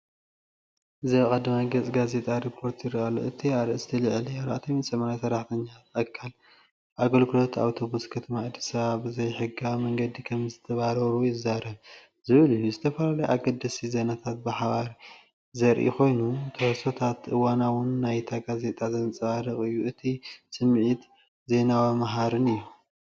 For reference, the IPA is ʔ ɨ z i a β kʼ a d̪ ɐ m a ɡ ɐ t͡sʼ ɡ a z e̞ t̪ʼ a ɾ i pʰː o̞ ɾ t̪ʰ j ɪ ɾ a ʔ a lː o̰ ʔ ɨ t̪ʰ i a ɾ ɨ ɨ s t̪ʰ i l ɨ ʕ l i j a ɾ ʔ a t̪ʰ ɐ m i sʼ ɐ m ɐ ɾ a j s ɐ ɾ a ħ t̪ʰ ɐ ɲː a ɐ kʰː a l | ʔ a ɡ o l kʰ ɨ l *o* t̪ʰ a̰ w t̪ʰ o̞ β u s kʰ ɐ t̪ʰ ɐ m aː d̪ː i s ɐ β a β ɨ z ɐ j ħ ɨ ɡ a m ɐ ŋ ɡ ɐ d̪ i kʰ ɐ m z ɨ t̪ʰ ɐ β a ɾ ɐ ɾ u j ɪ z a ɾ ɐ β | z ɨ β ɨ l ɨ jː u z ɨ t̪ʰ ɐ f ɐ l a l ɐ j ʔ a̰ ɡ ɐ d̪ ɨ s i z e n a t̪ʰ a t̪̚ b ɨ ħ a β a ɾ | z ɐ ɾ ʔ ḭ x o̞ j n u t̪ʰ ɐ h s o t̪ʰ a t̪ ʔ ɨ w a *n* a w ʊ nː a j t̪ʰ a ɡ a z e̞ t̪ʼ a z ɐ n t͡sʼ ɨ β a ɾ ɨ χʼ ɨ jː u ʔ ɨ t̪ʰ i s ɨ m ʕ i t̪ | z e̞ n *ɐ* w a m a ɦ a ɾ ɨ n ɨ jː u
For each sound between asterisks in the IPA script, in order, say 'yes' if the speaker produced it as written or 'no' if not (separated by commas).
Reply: yes, yes, no